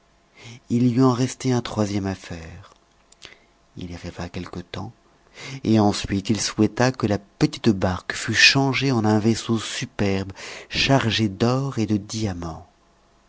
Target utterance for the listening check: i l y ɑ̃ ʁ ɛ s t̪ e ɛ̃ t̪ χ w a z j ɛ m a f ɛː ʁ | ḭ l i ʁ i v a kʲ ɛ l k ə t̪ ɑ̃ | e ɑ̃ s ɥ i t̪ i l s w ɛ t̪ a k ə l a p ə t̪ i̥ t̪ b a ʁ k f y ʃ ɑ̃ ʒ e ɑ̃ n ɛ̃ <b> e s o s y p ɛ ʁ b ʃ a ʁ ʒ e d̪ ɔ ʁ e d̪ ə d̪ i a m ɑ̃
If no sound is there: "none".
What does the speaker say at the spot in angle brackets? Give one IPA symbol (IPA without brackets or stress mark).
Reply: v